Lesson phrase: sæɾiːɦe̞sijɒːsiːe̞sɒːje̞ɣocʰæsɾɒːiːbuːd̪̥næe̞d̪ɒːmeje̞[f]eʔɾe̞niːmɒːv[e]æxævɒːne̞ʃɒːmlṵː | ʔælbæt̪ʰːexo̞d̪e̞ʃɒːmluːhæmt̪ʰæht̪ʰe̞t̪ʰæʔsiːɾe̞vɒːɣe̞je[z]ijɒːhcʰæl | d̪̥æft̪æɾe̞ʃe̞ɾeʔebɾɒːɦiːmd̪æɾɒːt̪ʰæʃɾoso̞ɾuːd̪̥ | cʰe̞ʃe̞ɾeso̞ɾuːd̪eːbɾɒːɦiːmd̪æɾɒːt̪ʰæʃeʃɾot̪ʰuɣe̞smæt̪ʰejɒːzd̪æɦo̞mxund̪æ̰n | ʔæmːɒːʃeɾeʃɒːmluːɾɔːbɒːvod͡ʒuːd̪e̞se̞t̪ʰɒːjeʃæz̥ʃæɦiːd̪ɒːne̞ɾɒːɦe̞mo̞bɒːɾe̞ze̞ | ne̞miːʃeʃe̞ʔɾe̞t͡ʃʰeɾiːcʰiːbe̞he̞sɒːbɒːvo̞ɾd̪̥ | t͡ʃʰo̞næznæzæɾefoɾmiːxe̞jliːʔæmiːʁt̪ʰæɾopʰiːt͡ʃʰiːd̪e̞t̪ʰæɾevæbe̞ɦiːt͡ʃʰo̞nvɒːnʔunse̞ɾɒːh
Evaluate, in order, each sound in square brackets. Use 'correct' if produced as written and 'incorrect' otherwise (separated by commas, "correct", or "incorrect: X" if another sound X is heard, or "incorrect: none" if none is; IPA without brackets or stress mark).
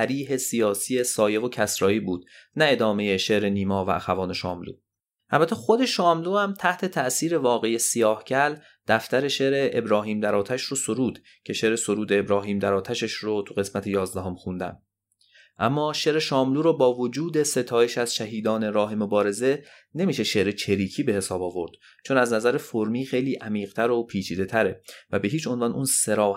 incorrect: ʃ, incorrect: æ, incorrect: s